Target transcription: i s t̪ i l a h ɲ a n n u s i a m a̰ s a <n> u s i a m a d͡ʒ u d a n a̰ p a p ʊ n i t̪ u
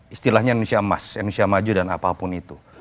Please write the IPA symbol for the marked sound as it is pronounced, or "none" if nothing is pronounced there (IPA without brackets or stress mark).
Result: n